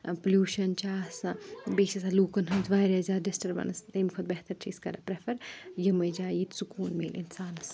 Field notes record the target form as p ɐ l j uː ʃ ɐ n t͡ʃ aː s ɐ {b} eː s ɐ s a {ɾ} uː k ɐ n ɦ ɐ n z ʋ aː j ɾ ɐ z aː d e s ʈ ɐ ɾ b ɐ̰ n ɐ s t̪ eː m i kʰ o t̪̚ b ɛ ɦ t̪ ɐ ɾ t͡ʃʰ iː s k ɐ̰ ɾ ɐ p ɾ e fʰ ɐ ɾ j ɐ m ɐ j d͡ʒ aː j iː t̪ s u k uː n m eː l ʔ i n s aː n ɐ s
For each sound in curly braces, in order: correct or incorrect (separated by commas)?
correct, incorrect